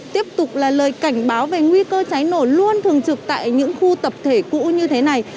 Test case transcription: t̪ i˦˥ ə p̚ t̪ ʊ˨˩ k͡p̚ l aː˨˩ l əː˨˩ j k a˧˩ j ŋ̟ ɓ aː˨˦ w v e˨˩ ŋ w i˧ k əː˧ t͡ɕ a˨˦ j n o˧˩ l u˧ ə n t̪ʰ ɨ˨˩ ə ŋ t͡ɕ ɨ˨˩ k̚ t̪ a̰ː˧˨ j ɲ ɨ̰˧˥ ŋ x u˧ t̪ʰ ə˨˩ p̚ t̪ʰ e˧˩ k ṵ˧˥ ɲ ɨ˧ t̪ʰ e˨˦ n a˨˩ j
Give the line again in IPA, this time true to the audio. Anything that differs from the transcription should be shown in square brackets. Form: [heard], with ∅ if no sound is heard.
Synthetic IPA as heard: t̪ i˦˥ ə p̚ t̪ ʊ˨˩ k͡p̚ l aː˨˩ l əː˨˩ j k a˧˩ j ŋ̟ ɓ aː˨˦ w v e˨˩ ŋ w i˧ k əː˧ t͡ɕ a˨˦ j n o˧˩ l u˧ ə n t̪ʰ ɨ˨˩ ə ŋ t͡ɕ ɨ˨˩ k̚ t̪ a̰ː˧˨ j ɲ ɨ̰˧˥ ŋ x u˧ [t̪] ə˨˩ p̚ t̪ʰ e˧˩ k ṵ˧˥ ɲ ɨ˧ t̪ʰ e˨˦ n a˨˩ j